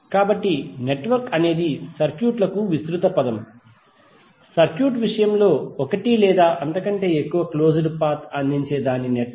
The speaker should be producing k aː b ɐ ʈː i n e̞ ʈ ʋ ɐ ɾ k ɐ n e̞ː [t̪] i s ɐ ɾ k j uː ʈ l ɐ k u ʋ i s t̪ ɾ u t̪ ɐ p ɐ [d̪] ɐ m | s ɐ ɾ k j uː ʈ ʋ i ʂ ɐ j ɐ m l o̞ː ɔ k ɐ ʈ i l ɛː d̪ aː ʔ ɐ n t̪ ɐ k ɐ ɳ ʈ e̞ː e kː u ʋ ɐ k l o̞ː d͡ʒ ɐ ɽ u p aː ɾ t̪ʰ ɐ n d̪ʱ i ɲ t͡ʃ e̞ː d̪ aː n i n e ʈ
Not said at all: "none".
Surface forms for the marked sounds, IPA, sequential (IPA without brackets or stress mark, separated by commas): d̪, d̪